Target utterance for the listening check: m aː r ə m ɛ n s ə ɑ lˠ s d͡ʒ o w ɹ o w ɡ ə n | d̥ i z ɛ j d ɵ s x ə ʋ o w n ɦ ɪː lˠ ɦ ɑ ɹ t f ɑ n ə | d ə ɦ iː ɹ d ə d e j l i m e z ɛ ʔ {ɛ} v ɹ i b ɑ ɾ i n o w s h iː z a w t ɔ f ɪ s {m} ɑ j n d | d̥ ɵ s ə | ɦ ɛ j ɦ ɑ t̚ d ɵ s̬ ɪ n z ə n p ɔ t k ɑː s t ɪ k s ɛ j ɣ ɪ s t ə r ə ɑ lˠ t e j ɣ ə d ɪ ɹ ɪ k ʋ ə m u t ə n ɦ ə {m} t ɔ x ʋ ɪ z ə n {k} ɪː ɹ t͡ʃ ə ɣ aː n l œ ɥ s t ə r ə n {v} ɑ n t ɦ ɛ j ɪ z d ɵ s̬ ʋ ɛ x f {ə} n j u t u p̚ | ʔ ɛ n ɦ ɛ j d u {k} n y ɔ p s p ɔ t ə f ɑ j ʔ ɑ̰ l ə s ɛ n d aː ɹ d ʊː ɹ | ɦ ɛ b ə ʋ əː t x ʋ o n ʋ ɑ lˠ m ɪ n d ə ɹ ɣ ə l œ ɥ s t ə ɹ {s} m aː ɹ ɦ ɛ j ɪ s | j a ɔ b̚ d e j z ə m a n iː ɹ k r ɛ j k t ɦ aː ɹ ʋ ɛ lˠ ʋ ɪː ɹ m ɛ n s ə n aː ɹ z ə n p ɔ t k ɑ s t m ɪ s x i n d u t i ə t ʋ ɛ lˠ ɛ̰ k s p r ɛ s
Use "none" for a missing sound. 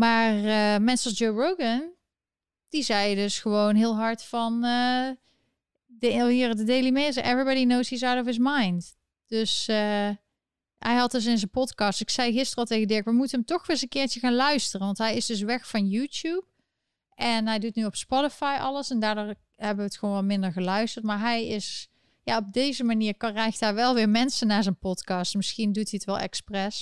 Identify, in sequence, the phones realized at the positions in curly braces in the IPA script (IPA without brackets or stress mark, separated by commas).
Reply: ɛ, m, m, k, ʋ, ɑ, t, t